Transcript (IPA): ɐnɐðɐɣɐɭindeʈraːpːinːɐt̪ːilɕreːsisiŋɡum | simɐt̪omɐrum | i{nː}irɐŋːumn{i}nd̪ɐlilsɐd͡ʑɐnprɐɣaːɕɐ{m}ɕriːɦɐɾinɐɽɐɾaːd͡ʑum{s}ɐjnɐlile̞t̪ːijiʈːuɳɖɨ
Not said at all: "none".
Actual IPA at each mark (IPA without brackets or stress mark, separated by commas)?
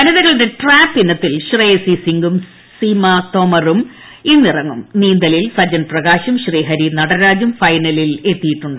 nː, iː, m, f